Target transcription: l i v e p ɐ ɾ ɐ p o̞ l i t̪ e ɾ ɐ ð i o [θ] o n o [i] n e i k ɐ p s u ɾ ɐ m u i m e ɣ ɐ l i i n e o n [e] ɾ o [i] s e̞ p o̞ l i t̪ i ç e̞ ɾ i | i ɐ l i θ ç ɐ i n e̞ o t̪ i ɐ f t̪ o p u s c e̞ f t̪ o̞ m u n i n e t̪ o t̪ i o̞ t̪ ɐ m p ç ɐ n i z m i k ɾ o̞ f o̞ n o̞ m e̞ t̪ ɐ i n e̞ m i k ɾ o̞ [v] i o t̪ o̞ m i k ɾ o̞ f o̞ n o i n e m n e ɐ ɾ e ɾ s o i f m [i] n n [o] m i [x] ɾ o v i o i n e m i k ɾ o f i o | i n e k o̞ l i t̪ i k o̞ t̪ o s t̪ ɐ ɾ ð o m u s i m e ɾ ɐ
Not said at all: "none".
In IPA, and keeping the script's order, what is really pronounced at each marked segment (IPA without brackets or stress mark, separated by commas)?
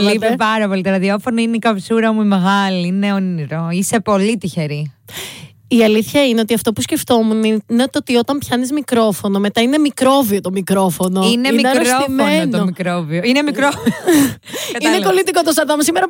f, i, i, i, v, e, o, k